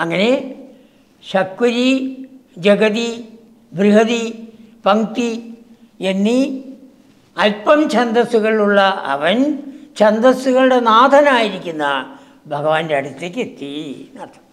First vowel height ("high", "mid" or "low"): low